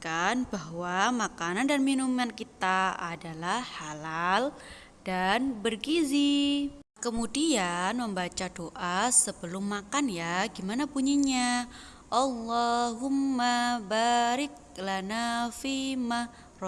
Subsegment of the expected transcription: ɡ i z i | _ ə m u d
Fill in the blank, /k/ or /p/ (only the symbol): k